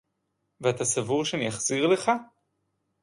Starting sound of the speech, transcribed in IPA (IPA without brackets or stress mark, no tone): v